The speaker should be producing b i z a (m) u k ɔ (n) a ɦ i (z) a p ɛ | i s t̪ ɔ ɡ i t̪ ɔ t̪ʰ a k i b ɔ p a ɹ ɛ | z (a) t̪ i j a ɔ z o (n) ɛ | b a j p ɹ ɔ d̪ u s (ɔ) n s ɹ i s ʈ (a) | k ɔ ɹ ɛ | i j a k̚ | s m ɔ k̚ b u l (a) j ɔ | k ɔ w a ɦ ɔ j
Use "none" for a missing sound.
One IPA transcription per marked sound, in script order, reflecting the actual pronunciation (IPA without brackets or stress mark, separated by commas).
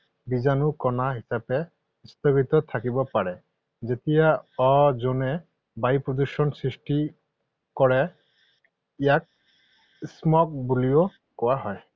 n, n, s, e, n, ɔ, i, i